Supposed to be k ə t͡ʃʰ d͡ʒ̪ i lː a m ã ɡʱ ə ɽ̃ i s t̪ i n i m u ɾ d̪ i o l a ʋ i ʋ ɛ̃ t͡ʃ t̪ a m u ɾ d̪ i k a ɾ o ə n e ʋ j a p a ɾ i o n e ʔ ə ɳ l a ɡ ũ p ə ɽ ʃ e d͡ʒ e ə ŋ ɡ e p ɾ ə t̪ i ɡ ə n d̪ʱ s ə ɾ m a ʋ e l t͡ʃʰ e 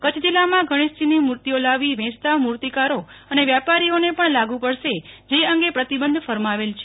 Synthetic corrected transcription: k ə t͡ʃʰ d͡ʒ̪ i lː a m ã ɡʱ ə ɽ̃ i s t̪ i n i m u ɾ t̪ i o l a ʋ i ʋ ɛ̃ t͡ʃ t̪ a m u ɾ t̪ i k a ɾ o ə n e ʋ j a p a ɾ i o n e p ə ɳ l a ɡ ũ p ə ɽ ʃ e d͡ʒ e ə ŋ ɡ e p ɾ ə t̪ i b ə n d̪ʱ f ə ɾ m a ʋ e l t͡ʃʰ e

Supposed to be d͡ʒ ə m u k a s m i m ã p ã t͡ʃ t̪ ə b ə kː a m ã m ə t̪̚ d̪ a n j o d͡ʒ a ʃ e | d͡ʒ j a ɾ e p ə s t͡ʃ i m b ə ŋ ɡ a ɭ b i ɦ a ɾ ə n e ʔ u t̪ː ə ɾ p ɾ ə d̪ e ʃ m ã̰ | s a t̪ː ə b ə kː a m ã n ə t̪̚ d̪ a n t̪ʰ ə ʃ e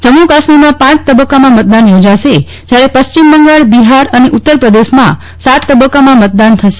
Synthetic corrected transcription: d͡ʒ ə m u k a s m i m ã p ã t͡ʃ t̪ ə b ə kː a m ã m ə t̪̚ d̪ a n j o d͡ʒ a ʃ e | d͡ʒ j a ɾ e p ə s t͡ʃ i m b ə ŋ ɡ a ɭ b i ɦ a ɾ ə n e ʔ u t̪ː ə ɾ p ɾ ə d̪ e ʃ m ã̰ | s a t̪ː ə b ə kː a m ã m ə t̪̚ d̪ a n t̪ʰ ə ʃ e

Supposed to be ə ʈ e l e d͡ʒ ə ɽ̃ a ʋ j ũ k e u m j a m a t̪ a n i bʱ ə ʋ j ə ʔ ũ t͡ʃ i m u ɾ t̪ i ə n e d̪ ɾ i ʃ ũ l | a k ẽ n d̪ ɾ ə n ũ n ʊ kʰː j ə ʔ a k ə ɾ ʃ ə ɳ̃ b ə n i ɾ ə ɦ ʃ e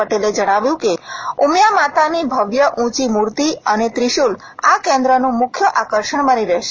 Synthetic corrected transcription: ə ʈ e l e d͡ʒ ə ɽ̃ a ʋ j ũ k e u m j a m a t̪ a n i bʱ ə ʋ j ə ʔ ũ t͡ʃ i m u ɾ t̪ i ə n e t̪ ɾ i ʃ u l | a k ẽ n d̪ ɾ ə n ũ m ʊ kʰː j ə ʔ a k ə ɾ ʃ ə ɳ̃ b ə n i ɾ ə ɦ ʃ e

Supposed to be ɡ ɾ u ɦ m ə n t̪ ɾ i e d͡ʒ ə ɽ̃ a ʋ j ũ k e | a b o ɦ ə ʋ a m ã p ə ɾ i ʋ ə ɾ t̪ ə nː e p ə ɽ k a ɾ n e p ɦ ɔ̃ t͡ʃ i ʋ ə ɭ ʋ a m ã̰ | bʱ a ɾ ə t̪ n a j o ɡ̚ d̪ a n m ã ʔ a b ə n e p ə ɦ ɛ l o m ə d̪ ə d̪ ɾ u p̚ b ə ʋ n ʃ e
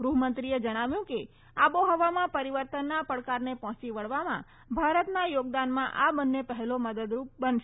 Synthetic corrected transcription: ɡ ɾ u ɦ m ə n t̪ ɾ i e d͡ʒ ə ɽ̃ a ʋ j ũ k e | a b o ɦ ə ʋ a m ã p ə ɾ i ʋ ə ɾ t̪ ə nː a p ə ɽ k a ɾ n e p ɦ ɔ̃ t͡ʃ i ʋ ə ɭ ʋ a m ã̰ | bʱ a ɾ ə t̪ n a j o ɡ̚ d̪ a n m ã ʔ a b ə nː e p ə ɦ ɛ l o m ə d̪ ə d̪ ɾ u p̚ b ə n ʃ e

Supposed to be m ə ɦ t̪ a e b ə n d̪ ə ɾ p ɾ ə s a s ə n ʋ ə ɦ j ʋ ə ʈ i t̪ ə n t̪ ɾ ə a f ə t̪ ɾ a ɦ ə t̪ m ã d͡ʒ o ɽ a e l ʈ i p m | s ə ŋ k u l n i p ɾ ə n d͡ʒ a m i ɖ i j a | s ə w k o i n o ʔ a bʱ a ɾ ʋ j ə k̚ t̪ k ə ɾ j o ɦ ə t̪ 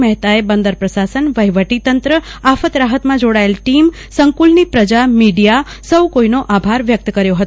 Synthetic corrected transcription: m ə ɦ t̪ a e b ə n d̪ ə ɾ p ɾ ə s a s ə n ʋ ə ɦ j ʋ ə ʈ i t̪ ə n t̪ ɾ ə a f ə t̪ ɾ a ɦ ə t̪ m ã d͡ʒ o ɽ a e l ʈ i m | s ə ŋ k u l n i p ɾ ə d͡ʒ a m i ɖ i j a | s ə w k o i n o ʔ a bʱ a ɾ ʋ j ə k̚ t̪ k ə ɾ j o ɦ ə t̪

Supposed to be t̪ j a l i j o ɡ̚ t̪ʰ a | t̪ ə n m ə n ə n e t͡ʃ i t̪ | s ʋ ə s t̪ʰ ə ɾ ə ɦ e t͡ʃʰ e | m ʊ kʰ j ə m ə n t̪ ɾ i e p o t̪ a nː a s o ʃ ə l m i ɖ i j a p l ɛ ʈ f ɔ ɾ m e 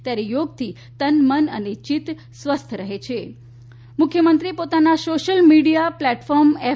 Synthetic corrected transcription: t̪ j a ɾ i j o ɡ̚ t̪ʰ i | t̪ ə n m ə n ə n e t͡ʃ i t̪ | s ʋ ə s t̪ʰ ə ɾ ə ɦ e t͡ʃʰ e | m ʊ kʰ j ə m ə n t̪ ɾ i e p o t̪ a n a s o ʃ ə l m i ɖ i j a p l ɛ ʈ f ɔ ɾ m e

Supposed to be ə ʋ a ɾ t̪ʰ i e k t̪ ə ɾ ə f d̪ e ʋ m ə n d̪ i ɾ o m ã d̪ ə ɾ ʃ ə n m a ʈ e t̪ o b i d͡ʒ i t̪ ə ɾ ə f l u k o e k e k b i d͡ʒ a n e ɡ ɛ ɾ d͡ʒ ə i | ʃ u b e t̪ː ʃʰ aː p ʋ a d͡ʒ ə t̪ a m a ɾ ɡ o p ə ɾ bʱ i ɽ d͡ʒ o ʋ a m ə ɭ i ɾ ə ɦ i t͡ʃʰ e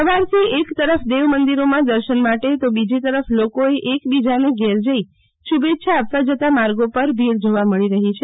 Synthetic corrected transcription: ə ʋ a ɾ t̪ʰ i e k t̪ ə ɾ ə f d̪ e ʋ m ə n d̪ i ɾ o m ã d̪ ə ɾ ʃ ə n m a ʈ e t̪ o b i d͡ʒ i t̪ ə ɾ ə f l o k o e ʔ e k b i d͡ʒ a n e ɡ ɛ ɾ d͡ʒ ə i | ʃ u b e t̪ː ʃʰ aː p ʋ a d͡ʒ ə t̪ a m a ɾ ɡ o p ə ɾ bʱ i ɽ d͡ʒ o ʋ a m ə ɭ i ɾ ə ɦ i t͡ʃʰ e

